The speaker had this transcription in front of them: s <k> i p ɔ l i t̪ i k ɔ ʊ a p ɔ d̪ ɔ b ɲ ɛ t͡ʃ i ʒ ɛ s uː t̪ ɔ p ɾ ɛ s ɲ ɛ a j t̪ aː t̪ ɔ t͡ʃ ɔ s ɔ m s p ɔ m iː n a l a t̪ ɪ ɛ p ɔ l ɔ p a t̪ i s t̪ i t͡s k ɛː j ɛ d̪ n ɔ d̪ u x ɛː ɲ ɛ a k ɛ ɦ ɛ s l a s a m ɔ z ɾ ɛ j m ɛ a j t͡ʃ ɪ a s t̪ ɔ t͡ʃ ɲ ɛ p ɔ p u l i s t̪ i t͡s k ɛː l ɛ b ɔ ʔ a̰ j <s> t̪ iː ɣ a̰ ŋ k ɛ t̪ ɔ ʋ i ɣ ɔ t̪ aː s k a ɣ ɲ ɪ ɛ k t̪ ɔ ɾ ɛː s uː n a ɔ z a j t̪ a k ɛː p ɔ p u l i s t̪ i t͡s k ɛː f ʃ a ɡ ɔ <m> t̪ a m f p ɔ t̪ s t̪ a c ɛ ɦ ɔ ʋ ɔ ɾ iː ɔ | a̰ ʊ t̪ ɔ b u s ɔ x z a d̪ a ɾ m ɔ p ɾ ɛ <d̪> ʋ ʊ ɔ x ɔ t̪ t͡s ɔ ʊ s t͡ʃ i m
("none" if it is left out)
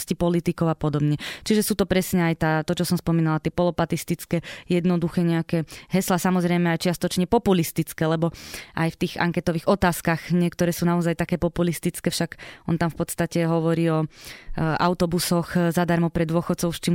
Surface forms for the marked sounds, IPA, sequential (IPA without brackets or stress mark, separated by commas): c, f, n, d̪